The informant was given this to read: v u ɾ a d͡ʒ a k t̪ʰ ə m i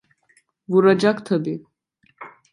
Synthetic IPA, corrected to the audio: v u ɾ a d͡ʒ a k t̪ʰ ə b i